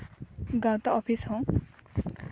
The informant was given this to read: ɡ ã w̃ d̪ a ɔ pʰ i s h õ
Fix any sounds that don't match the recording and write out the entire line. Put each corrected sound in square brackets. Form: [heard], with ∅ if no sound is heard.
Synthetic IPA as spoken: ɡ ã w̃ [t̪] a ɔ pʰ i s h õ